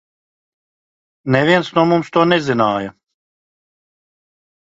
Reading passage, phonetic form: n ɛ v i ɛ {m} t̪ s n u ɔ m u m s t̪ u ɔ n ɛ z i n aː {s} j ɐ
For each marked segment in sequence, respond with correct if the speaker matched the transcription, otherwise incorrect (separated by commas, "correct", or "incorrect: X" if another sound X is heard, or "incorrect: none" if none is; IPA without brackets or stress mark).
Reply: incorrect: n, incorrect: none